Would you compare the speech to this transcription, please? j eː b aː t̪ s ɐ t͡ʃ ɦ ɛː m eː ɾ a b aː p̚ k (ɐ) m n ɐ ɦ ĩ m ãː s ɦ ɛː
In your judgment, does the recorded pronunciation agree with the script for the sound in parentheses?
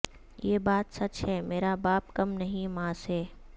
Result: yes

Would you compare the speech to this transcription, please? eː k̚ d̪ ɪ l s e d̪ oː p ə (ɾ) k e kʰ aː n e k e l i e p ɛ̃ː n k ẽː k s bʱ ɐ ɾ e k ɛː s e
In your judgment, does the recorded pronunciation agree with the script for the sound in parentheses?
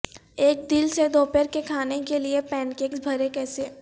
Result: yes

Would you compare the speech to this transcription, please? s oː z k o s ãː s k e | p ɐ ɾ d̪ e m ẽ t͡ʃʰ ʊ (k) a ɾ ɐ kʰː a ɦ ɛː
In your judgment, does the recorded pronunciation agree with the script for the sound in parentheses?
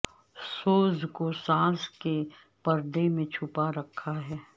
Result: no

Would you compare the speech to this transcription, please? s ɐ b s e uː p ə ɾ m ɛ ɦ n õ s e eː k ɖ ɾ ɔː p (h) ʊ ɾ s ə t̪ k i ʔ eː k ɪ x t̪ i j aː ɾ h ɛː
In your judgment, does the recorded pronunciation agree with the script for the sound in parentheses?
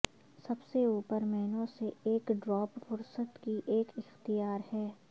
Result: no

